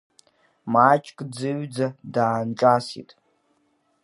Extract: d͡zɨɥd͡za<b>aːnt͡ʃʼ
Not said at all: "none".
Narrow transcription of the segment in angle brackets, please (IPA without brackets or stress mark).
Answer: d